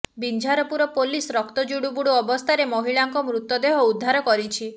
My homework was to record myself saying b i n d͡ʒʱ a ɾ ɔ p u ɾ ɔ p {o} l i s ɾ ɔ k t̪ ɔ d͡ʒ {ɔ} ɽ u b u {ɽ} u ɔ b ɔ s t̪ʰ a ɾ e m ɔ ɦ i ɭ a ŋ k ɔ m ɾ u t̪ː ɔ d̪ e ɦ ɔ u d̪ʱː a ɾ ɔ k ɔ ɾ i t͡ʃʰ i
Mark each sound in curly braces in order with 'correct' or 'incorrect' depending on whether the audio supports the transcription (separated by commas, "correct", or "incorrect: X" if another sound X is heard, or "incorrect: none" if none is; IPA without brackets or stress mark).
correct, incorrect: u, correct